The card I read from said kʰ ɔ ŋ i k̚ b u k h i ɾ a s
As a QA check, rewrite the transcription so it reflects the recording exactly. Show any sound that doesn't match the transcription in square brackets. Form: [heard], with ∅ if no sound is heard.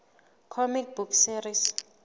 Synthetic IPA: kʰ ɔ [m] i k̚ b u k [s] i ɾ [i] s